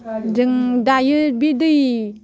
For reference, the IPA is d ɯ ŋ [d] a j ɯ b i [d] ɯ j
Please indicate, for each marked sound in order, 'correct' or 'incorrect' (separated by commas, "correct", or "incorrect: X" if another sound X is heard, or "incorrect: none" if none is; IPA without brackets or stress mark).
correct, correct